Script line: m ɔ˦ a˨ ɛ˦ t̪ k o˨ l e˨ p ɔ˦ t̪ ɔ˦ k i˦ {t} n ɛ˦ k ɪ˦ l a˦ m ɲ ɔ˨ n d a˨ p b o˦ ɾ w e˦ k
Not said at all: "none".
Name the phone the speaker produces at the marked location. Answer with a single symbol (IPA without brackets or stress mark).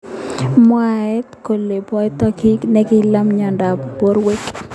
k